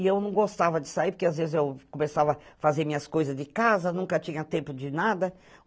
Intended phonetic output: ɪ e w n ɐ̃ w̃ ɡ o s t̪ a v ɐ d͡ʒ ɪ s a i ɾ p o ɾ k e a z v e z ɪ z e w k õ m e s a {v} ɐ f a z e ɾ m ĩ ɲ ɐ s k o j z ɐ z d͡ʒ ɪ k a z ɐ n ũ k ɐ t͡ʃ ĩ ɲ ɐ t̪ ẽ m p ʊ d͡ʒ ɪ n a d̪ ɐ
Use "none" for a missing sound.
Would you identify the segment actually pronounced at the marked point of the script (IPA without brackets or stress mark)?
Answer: v